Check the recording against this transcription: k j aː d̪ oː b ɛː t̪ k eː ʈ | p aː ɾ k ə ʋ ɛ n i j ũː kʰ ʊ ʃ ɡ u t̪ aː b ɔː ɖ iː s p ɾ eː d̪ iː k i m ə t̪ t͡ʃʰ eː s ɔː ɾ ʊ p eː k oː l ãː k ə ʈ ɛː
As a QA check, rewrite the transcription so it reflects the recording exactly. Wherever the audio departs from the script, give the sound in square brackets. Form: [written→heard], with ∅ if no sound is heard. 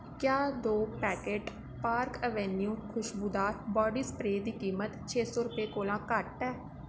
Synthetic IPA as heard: k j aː d̪ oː [b→p] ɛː [t̪→∅] k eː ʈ | p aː ɾ k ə ʋ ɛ n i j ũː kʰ ʊ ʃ [ɡ→b] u [t̪→d̪] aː b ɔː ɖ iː s p ɾ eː d̪ iː k [i→iː] m ə t̪ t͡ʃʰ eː s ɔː ɾ ʊ p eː k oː l ãː k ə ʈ ɛː